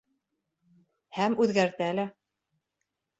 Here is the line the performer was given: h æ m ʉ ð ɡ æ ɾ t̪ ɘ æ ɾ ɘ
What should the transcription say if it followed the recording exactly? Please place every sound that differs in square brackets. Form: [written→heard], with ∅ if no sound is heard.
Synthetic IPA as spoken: h æ m ʉ ð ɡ æ ɾ t̪ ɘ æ [ɾ→l] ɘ